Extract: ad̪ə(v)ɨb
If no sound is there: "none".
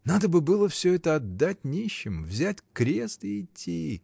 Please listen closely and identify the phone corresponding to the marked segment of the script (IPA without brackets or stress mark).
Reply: b